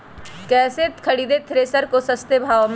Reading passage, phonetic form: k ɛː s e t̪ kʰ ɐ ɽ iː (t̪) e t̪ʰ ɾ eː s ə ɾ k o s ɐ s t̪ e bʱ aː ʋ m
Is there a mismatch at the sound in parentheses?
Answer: yes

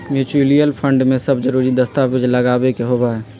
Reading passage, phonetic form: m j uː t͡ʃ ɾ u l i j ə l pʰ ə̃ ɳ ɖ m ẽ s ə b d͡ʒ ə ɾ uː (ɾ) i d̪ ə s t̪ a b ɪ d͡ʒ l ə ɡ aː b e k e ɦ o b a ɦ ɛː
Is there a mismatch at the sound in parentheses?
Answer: no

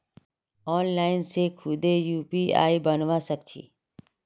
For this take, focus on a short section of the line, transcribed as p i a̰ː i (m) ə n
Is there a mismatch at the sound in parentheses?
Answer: yes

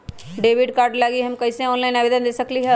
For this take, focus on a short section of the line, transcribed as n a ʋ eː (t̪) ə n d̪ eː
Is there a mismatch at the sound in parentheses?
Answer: yes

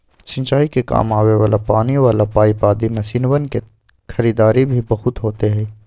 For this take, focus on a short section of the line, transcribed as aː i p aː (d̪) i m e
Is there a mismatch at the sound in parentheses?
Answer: no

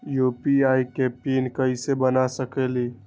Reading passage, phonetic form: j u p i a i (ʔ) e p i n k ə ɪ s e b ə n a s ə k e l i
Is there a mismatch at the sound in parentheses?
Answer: yes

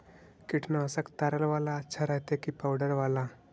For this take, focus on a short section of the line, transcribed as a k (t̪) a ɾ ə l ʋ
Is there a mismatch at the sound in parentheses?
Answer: no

